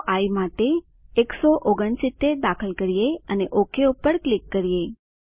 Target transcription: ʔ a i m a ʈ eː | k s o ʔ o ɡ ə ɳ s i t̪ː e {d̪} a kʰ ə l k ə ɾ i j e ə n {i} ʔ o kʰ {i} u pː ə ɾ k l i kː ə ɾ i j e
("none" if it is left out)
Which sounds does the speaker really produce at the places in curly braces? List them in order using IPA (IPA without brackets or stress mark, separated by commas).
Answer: d̪, e, e